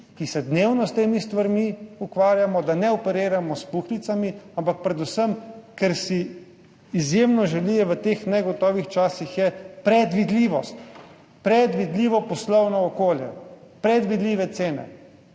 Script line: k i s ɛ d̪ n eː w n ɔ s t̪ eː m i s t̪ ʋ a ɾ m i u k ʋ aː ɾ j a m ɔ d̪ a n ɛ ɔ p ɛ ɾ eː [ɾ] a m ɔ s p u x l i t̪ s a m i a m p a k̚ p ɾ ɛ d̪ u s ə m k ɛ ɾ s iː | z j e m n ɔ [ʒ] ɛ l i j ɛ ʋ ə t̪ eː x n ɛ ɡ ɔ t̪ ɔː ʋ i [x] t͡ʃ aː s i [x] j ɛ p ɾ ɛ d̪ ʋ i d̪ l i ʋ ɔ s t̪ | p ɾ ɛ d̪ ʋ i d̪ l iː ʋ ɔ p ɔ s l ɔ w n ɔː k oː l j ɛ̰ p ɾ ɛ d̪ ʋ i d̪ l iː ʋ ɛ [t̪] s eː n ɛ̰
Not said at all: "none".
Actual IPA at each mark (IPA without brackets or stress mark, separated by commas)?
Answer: ɾ, ʒ, x, x, t̪